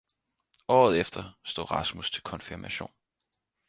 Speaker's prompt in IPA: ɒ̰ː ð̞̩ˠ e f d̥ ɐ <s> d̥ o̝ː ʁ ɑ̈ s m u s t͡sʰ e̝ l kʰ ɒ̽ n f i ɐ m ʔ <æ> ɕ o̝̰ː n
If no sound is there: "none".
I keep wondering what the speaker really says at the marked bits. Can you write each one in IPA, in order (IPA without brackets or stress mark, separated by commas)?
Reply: s, æ